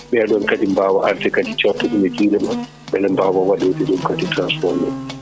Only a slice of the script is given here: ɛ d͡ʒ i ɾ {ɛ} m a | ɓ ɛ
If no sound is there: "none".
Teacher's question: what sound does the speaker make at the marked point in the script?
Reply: ɛ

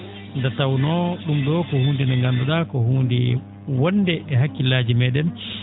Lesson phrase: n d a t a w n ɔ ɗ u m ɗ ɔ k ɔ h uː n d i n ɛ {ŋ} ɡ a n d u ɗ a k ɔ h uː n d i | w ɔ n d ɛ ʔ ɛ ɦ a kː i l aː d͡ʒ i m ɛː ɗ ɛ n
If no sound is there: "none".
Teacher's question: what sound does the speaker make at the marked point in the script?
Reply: ŋ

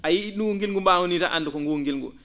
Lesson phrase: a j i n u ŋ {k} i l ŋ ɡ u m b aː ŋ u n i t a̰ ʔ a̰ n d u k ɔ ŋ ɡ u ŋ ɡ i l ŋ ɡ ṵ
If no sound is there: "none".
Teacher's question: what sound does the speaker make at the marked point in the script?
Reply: ɡ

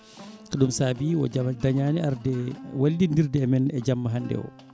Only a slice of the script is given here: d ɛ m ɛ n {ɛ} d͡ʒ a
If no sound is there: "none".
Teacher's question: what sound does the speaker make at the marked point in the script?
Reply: ɛ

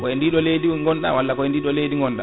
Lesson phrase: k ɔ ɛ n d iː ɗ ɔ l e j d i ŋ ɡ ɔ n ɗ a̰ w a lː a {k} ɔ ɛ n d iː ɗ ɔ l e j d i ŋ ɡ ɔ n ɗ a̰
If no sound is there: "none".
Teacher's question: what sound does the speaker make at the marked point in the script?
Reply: k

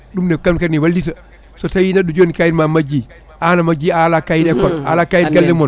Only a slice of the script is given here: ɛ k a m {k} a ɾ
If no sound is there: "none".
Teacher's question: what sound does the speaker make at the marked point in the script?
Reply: k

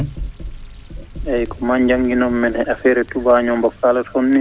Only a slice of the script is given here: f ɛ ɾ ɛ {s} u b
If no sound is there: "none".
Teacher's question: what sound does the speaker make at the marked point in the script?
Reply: t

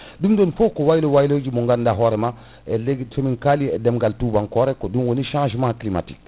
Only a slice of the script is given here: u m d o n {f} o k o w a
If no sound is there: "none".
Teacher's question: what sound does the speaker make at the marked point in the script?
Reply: f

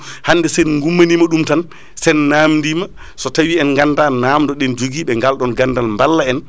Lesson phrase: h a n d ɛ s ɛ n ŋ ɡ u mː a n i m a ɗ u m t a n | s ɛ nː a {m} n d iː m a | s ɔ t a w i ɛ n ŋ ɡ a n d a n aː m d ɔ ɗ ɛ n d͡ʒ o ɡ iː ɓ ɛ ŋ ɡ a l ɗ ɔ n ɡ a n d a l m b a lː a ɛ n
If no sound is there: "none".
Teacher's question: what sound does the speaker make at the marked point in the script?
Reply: m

